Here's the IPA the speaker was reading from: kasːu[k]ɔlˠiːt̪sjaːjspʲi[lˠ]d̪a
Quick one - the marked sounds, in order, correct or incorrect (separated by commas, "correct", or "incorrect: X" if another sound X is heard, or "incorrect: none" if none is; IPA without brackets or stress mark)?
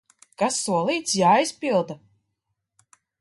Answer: incorrect: none, correct